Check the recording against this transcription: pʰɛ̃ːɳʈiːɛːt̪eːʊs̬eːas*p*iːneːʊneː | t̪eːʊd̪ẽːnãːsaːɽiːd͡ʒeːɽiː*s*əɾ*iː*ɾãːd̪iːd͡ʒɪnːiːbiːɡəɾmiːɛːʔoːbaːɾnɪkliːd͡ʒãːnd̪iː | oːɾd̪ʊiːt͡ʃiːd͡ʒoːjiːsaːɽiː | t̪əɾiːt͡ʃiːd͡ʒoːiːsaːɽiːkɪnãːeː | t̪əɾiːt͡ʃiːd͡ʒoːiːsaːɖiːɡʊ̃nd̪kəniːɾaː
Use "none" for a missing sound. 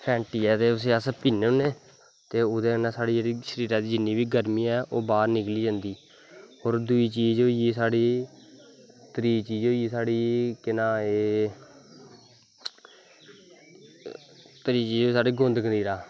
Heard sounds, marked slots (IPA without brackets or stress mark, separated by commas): p, ʃ, iː